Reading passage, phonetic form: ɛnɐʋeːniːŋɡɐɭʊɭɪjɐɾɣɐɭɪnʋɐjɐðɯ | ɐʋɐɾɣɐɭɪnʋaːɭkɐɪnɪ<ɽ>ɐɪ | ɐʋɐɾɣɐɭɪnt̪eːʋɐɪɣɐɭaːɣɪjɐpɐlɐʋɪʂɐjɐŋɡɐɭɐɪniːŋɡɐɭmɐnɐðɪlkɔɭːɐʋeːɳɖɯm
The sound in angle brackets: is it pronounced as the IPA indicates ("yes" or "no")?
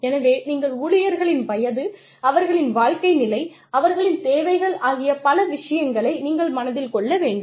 no